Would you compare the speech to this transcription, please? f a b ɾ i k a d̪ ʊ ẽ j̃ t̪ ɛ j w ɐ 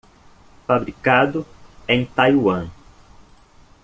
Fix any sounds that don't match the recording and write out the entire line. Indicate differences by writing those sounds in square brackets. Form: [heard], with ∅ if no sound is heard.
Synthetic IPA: f a b ɾ i k a d̪ ʊ ẽ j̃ t̪ [a] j w [ɐ̃]

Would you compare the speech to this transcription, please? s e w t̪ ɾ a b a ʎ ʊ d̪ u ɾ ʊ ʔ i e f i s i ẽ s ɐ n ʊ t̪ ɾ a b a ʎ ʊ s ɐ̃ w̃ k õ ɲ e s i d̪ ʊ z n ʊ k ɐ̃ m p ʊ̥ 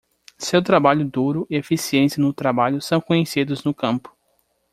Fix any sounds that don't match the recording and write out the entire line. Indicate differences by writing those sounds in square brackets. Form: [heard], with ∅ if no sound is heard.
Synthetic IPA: s e w t̪ ɾ a b a ʎ ʊ d̪ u ɾ ʊ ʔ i e f i s i ẽ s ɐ n ʊ t̪ ɾ a b a ʎ ʊ s ɐ̃ w̃ k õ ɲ e s i d̪ ʊ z n ʊ k ɐ̃ m p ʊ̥

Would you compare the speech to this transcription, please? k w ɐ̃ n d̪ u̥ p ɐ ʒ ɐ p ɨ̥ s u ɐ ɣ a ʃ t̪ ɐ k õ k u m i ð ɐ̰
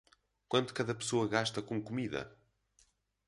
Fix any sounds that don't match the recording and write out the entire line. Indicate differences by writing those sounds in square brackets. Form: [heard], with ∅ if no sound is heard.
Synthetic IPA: k w ɐ̃ n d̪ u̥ [k] ɐ [ð] ɐ p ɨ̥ s [o] ɐ ɣ a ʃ t̪ ɐ k õ k u m i ð ɐ̰

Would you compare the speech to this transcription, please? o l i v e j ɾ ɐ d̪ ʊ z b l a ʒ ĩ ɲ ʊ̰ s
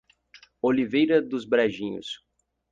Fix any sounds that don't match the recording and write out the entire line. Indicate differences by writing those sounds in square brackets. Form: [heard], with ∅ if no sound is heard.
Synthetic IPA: o l i v e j ɾ ɐ d̪ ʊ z b [ɾ] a ʒ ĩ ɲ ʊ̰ s

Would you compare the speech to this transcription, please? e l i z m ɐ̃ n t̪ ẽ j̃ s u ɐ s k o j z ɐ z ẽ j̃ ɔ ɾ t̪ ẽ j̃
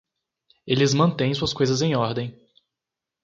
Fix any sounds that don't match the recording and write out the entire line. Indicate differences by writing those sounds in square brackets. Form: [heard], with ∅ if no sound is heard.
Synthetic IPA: e l [ɪ] z m ɐ̃ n t̪ ẽ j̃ s u ɐ s k o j z ɐ z ẽ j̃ ɔ ɾ [d̪] ẽ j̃

